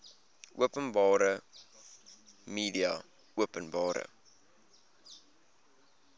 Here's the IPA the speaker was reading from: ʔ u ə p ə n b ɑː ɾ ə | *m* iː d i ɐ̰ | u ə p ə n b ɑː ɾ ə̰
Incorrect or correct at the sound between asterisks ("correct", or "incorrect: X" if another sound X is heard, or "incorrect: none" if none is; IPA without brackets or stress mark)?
correct